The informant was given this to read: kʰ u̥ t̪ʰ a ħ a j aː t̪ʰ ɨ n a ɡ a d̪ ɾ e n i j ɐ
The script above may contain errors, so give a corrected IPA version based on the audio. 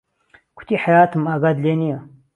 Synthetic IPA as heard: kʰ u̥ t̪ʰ i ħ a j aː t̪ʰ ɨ m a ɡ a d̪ l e n i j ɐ